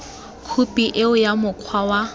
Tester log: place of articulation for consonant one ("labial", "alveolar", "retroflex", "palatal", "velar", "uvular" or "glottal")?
velar